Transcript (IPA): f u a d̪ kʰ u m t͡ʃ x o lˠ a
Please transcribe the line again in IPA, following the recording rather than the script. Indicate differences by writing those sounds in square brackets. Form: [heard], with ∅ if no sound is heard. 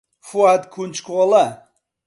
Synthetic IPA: f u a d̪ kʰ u [n] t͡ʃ [k] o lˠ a